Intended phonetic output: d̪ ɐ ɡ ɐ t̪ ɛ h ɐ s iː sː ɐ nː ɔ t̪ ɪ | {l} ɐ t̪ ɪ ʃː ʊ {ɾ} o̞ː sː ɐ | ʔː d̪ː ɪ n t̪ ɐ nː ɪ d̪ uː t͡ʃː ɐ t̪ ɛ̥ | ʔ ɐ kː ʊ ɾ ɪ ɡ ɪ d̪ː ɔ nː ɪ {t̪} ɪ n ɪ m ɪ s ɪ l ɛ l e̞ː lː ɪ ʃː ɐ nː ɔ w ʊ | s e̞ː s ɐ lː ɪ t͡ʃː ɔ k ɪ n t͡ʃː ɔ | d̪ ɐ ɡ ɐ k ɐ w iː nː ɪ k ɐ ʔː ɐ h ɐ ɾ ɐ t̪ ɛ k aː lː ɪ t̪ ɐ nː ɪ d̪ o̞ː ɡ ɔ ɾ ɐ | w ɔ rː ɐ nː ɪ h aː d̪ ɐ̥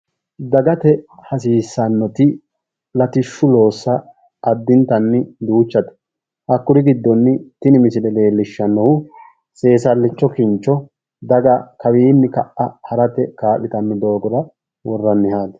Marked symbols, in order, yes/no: yes, no, yes

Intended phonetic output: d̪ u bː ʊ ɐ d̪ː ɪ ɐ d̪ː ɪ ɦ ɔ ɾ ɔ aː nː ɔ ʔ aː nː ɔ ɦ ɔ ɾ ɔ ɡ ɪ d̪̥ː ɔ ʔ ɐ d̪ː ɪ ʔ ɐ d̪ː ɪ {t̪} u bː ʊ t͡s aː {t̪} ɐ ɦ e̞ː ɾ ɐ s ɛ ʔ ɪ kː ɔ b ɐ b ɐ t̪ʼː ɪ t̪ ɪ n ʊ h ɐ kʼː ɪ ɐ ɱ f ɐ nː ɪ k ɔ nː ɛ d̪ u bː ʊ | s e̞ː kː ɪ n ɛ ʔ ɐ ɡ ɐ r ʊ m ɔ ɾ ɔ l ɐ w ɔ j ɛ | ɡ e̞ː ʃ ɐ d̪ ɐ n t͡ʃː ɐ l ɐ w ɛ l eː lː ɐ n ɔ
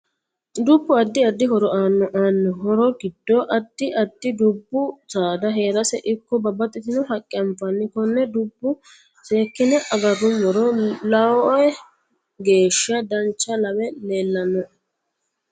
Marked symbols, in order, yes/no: no, no

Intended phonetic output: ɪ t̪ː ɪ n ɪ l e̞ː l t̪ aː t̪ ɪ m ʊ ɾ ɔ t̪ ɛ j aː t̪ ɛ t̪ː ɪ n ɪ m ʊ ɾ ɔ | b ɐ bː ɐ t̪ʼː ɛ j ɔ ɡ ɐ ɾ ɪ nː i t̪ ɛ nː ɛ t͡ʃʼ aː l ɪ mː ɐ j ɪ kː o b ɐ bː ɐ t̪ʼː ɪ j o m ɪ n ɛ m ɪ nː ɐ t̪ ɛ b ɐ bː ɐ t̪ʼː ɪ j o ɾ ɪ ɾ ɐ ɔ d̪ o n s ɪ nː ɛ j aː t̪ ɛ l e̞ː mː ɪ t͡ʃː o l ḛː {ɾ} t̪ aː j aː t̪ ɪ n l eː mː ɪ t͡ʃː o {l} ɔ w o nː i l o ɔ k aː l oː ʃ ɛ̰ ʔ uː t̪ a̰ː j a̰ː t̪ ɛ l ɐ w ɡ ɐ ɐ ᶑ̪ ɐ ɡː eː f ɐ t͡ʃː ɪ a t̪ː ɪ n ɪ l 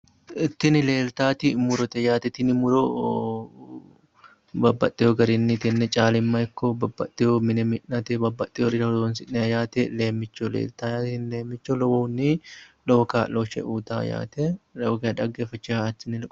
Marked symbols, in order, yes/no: no, yes

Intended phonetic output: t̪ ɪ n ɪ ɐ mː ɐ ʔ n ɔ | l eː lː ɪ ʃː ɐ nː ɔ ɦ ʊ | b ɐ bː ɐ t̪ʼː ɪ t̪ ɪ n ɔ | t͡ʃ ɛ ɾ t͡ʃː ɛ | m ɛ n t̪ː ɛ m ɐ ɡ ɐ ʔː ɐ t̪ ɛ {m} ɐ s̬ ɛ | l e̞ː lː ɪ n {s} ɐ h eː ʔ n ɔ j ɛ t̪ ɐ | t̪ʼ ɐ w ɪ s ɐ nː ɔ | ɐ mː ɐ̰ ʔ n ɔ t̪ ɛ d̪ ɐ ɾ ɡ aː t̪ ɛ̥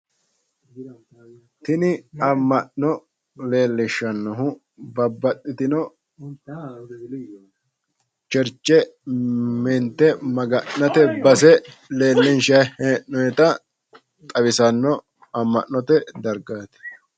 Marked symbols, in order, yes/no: no, no

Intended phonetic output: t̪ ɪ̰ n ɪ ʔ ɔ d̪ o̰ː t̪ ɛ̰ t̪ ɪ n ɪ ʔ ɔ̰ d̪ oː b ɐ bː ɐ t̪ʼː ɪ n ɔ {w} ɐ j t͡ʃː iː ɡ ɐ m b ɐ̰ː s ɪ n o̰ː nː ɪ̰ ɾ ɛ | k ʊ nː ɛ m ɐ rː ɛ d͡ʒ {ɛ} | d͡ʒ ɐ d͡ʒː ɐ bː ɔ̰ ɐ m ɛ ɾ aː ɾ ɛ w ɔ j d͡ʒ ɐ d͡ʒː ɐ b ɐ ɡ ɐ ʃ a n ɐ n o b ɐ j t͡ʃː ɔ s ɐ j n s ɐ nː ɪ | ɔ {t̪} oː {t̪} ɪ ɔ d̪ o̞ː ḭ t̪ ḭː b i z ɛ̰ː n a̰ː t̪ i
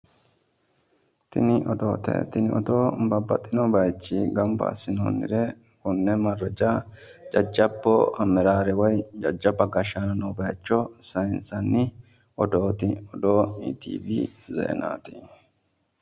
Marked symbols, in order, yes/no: no, no, no, yes

